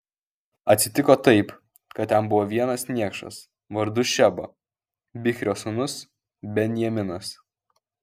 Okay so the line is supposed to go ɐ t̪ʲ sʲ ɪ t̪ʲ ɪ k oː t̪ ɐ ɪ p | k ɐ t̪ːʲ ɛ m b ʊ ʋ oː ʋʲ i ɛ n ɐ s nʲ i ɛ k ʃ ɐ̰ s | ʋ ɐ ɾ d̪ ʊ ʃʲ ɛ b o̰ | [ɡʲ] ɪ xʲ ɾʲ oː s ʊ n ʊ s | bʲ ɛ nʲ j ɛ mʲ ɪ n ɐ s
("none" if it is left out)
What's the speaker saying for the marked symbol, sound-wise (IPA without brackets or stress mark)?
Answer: bʲ